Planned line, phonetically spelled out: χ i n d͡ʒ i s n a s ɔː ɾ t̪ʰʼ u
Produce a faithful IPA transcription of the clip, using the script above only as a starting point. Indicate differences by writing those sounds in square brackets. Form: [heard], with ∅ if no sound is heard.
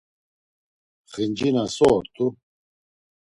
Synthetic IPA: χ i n d͡ʒ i [∅] n a s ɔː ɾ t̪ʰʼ u

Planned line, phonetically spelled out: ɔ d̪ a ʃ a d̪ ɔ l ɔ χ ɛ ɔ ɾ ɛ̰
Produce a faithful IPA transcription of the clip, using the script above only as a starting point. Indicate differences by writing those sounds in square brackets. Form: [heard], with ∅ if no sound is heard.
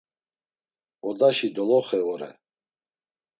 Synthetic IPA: ɔ d̪ a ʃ [i] d̪ ɔ l ɔ χ ɛ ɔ ɾ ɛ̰

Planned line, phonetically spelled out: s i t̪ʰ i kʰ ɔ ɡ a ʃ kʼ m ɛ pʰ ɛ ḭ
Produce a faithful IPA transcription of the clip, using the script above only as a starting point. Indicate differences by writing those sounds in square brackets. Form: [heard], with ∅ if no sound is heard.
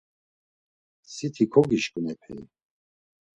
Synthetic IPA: s i t̪ʰ i kʰ ɔ ɡ [i] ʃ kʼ [n] ɛ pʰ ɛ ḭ

